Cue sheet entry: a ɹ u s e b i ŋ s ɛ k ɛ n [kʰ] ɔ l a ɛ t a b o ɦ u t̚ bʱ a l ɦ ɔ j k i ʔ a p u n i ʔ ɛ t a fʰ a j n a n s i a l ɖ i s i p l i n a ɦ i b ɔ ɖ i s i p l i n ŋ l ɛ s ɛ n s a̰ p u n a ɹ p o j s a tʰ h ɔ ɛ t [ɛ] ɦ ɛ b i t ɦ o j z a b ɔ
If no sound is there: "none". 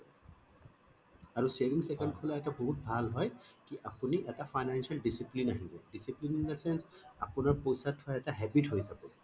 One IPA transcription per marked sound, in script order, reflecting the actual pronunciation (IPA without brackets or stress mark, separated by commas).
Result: kʰ, a